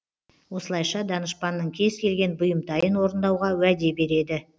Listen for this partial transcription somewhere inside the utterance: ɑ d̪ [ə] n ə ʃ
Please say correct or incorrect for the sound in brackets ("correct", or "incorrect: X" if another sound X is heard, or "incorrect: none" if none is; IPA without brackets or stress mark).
incorrect: ɑ